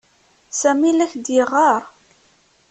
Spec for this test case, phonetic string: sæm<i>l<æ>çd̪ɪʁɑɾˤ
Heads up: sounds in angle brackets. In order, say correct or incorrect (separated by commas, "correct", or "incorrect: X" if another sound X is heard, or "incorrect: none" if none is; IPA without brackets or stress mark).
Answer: correct, correct